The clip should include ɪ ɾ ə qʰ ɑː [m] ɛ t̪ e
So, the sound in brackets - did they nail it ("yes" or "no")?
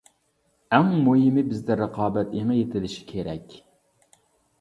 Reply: no